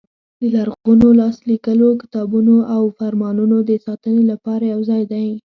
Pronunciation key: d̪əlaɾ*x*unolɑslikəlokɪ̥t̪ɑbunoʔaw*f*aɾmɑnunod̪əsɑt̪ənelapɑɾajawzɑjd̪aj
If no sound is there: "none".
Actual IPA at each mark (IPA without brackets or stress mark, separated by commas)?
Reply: ɣ, f